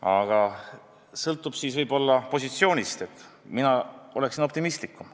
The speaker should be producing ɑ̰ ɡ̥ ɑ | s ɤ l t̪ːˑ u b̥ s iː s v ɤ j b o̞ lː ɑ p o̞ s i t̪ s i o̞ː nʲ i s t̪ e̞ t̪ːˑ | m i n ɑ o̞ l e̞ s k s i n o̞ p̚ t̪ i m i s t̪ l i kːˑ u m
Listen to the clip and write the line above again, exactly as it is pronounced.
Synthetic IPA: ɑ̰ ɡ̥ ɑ | s ɤ l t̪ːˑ u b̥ s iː s v ɤ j b o̞ lː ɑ p o̞ s i t̪ s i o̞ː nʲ i s t̪ e̞ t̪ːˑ | m i n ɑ o̞ l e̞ k s i n o̞ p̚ t̪ i m i s t̪ l i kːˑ u m